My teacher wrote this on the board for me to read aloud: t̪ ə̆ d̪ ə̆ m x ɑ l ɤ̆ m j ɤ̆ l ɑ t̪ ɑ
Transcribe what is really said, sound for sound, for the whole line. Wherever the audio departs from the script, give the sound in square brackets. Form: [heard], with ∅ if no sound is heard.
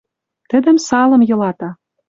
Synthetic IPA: t̪ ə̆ d̪ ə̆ m [s] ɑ l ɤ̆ m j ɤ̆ l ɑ t̪ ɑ